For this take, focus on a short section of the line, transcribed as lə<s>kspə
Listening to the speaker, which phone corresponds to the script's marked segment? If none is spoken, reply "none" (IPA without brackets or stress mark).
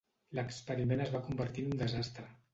none